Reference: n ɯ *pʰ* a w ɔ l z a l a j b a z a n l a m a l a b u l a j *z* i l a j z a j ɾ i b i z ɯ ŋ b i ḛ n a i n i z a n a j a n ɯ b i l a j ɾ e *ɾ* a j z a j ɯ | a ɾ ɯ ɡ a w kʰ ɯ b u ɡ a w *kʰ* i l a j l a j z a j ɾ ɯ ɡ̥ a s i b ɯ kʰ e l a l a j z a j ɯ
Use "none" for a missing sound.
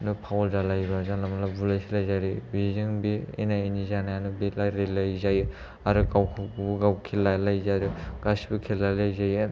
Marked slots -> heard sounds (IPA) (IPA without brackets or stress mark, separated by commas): pʰ, s, l, kʰ